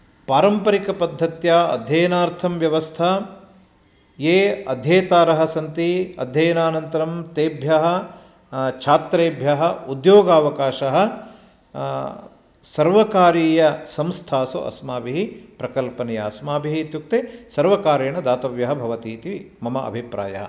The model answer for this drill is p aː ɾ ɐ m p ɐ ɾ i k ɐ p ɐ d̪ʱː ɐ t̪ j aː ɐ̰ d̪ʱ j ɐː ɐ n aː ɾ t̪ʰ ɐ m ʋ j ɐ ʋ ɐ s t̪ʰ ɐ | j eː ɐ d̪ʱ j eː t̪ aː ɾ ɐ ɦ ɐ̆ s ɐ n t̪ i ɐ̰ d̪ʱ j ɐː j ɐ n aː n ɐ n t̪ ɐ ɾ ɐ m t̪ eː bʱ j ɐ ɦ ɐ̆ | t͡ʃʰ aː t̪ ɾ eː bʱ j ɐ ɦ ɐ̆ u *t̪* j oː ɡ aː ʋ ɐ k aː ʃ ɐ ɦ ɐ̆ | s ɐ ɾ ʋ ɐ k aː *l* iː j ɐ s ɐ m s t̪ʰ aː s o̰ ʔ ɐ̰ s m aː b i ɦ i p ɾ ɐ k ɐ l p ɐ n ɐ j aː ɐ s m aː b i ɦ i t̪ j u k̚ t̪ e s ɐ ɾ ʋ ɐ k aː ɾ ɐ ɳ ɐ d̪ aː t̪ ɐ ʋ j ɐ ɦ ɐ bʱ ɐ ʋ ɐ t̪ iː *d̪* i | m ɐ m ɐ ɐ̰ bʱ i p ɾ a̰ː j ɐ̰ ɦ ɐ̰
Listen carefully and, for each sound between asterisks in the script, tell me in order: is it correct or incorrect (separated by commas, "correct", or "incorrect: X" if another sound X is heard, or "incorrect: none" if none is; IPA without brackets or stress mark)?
incorrect: d̪, incorrect: ɾ, incorrect: t̪